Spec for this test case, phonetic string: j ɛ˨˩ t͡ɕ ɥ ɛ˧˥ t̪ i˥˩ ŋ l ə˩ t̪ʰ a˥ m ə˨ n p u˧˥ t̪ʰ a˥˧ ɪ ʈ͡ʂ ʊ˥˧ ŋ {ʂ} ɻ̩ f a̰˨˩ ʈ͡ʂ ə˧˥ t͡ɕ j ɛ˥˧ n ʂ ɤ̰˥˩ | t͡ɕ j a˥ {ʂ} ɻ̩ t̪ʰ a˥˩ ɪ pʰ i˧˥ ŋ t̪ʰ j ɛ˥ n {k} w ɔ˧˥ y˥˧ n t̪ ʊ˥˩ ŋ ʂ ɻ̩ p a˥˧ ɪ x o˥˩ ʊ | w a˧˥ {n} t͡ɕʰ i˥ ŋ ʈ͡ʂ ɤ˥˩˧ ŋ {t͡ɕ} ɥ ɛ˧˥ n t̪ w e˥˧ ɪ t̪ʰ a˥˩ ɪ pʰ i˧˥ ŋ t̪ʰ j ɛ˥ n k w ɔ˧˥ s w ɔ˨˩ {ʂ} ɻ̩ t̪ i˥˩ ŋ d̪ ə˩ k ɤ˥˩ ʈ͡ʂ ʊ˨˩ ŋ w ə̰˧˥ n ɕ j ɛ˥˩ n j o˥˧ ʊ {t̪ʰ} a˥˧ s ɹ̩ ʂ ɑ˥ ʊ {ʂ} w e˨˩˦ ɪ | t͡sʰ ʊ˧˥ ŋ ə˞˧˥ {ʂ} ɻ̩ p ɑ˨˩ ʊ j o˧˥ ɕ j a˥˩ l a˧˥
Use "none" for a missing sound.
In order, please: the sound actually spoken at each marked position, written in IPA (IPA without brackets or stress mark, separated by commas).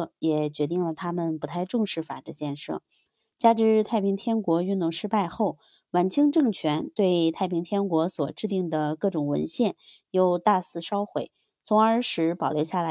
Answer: ʂ, ʈ͡ʂ, k, n, t͡ɕʰ, ʈ͡ʂ, t̪, x, ʂ